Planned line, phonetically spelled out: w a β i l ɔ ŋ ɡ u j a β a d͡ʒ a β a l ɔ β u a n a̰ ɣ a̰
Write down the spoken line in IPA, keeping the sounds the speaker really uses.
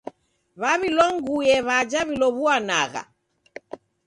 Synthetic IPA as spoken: β a β i l ɔ ŋ ɡ u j ɛ β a d͡ʒ a β i l ɔ β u a n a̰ ɣ a̰